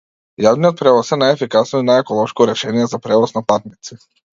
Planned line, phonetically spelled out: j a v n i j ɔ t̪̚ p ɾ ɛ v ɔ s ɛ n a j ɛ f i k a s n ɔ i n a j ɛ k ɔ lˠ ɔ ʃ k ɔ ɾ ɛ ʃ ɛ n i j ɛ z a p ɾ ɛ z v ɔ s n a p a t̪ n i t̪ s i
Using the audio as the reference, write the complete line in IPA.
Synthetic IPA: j a v n i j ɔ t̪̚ p ɾ ɛ v ɔ s ɛ n a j ɛ f i k a s n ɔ i n a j ɛ k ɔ lˠ ɔ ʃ k ɔ ɾ ɛ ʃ ɛ n i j ɛ z a p ɾ ɛ v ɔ s n a p a t̪ n i t̪ s i